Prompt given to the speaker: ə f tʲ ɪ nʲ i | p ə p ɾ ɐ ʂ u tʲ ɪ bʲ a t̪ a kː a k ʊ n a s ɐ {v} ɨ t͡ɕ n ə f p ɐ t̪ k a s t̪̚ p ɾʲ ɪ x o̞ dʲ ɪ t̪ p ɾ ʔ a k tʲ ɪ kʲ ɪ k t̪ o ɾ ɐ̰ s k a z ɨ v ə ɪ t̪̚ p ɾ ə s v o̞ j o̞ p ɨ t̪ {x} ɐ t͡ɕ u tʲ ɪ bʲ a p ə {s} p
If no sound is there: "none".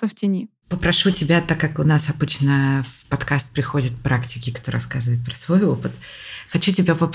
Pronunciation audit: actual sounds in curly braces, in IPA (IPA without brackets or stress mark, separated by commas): b, x, none